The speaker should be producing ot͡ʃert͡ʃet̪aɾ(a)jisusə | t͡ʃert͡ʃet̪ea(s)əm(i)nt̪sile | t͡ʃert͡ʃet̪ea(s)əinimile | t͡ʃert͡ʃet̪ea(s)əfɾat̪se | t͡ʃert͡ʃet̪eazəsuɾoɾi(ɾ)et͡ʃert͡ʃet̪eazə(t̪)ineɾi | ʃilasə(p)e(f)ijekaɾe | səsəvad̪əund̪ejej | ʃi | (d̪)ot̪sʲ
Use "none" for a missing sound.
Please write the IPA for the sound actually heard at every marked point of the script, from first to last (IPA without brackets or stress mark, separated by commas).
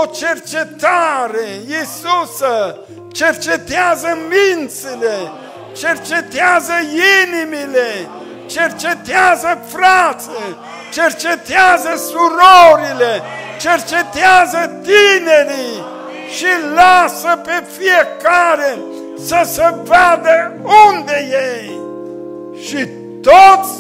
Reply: e, z, i, z, z, l, t̪, p, f, t̪